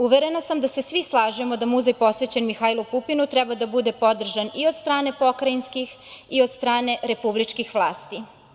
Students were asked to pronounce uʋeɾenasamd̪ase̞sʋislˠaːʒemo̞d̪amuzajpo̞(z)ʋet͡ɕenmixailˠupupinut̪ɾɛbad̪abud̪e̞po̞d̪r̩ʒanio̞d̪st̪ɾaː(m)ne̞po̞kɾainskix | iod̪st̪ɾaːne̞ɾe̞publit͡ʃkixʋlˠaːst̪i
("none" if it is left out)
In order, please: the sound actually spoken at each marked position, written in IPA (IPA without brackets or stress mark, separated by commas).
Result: s, none